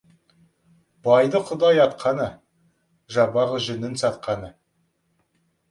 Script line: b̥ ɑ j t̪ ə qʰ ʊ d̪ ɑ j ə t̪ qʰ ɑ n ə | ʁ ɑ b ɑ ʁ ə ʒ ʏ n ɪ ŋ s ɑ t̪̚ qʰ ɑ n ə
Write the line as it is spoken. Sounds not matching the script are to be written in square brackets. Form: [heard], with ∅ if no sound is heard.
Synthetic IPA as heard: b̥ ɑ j [d̪] ə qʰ ʊ d̪ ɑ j [ɑ] t̪ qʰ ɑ n ə | [ʒ] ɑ b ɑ ʁ ə ʒ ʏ n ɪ [n] s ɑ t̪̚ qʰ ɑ n ə